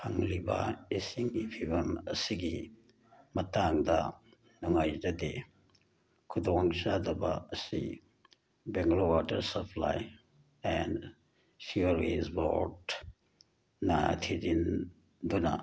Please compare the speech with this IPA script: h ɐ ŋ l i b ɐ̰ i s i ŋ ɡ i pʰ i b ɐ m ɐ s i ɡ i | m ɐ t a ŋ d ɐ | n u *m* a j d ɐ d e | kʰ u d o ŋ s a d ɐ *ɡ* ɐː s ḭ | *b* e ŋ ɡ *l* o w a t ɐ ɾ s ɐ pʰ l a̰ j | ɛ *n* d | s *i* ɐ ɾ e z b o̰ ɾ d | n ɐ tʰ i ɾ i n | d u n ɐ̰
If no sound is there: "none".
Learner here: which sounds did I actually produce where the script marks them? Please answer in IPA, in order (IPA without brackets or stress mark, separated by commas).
ŋ, b, b, l, n, i